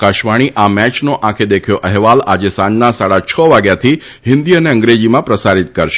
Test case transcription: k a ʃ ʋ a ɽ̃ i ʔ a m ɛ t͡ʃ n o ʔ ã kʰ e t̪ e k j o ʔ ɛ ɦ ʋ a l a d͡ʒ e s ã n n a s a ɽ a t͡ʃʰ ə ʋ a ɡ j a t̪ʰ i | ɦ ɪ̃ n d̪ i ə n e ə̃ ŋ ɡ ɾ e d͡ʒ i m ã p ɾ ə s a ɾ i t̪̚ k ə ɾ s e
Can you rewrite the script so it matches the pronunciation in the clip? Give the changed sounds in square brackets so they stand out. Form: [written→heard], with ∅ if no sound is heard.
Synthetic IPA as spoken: k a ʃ ʋ a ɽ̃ i ʔ a m ɛ t͡ʃ n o ʔ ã kʰ e [t̪→d̪] e [k→kʰ] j o ʔ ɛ ɦ ʋ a l a d͡ʒ e s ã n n a s a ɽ a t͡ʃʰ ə ʋ a ɡ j a t̪ʰ i | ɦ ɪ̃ n d̪ i ə n e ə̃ ŋ ɡ ɾ e d͡ʒ i m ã p ɾ ə s a ɾ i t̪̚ k ə ɾ [s→ʃ] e